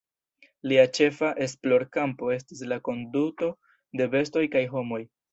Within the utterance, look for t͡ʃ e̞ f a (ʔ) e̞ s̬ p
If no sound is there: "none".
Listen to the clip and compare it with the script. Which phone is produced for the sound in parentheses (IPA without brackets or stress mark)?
ʔ